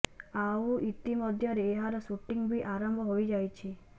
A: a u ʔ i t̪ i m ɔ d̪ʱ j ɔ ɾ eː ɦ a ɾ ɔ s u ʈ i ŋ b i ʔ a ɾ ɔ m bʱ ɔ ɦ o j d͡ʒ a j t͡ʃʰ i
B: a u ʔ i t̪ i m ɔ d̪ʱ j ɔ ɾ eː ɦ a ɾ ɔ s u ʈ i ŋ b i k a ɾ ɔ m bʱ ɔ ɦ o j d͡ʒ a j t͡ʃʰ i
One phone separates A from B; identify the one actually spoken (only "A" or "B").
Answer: A